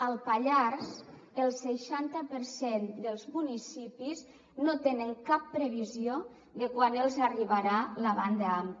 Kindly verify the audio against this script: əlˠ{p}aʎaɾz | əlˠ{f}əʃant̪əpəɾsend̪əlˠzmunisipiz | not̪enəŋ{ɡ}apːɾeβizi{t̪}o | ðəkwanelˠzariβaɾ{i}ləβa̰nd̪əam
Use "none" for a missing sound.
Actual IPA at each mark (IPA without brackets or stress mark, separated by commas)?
p, s, k, none, a